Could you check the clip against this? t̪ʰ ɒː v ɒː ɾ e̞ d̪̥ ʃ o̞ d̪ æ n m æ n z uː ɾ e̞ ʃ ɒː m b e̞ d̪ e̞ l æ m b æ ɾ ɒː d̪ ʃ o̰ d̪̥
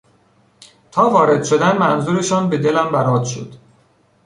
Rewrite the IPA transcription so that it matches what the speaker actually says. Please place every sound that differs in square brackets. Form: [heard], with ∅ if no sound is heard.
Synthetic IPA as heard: t̪ʰ ɒː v ɒː ɾ e̞ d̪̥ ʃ o̞ d̪ æ n m æ n z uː ɾ e̞ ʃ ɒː [n] b e̞ d̪ e̞ l æ m b æ ɾ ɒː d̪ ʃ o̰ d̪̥